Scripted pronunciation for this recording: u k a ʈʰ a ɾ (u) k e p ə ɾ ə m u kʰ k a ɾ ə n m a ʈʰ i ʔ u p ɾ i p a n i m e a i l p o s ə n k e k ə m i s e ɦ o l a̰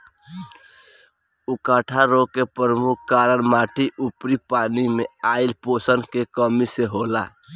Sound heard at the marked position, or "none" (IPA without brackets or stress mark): o